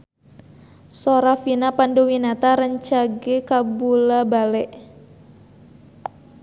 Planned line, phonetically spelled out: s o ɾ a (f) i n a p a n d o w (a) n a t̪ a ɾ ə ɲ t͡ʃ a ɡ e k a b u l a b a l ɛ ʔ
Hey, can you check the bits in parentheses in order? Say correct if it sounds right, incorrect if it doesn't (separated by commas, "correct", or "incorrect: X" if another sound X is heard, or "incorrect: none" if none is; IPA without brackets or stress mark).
correct, incorrect: i